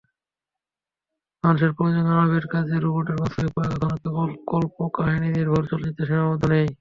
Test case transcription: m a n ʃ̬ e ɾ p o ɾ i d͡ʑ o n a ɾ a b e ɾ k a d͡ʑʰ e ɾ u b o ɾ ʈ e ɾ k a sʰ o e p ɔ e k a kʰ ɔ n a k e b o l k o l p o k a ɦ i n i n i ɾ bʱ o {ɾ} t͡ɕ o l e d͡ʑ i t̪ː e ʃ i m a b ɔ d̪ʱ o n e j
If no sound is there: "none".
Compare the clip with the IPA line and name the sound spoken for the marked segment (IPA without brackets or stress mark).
ɾ